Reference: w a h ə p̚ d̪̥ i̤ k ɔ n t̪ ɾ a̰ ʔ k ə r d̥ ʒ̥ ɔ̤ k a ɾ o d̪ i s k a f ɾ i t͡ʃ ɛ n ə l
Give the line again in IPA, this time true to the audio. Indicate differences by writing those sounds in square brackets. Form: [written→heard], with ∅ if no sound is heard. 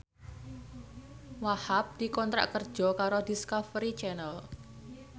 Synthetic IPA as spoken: w a h [ə→a] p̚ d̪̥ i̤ k ɔ n t̪ ɾ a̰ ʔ k ə r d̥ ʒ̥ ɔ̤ k a ɾ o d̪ i s k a f ɾ i t͡ʃ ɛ n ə l